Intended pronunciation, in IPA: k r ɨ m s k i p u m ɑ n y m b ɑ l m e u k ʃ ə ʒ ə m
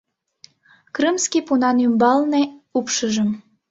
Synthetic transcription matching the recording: k r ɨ m s k i p u n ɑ n y m b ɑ l n e u p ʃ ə ʒ ə m